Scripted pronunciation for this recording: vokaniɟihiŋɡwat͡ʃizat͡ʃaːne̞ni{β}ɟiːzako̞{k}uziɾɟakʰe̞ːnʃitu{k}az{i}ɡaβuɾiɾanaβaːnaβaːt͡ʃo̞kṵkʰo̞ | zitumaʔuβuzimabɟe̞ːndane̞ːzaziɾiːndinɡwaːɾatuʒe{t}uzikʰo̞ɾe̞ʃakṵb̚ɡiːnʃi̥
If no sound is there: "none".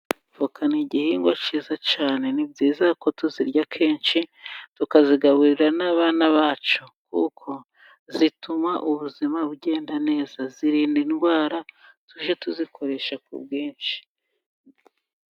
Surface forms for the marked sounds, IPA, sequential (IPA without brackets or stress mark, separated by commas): b, t, k, i, t